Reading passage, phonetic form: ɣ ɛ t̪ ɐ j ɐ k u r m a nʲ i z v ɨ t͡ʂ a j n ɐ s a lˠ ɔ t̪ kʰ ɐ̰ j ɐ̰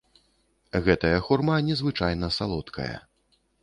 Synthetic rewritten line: ɣ ɛ t̪ ɐ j ɐ x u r m a nʲ ɛ z v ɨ t͡ʂ a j n ɐ s a lˠ ɔ t̪ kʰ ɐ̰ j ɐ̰